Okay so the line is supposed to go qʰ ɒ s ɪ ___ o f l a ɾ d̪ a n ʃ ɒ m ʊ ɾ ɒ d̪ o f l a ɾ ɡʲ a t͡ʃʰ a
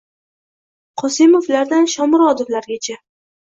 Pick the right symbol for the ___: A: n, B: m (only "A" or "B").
B